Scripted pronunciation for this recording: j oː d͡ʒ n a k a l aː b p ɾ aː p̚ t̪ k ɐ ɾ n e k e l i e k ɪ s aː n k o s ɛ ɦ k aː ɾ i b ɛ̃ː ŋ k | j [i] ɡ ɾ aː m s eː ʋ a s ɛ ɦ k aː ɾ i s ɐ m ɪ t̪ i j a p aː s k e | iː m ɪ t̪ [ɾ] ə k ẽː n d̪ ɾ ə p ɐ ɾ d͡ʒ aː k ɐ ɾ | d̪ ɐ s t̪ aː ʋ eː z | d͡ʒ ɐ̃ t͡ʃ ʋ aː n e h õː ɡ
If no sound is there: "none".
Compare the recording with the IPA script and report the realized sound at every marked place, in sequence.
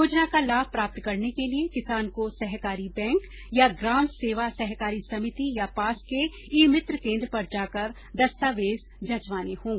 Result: a, ɾ

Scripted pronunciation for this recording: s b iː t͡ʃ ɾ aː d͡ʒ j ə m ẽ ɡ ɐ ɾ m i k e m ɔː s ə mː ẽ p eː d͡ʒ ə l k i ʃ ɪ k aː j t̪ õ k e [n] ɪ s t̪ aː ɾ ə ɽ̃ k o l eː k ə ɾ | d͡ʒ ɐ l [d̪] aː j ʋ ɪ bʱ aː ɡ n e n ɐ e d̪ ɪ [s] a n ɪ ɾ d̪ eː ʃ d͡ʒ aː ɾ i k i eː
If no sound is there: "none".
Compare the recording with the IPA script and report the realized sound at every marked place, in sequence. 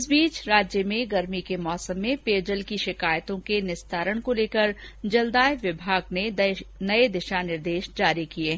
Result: n, d̪, ʃ

